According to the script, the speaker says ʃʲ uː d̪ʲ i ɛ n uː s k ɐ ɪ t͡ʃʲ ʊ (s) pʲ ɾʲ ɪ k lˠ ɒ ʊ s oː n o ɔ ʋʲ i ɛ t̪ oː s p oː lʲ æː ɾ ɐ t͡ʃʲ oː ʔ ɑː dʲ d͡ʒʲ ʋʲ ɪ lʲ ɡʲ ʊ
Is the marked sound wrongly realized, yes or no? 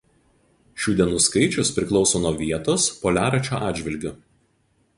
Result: no